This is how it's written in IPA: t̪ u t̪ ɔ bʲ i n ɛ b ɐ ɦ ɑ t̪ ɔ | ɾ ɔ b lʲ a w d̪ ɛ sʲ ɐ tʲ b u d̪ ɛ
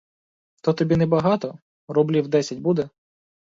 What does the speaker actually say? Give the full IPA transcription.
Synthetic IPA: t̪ ɔ t̪ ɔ bʲ i n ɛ b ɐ ɦ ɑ t̪ ɔ | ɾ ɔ b lʲ i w d̪ ɛ sʲ ɐ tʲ b u d̪ ɛ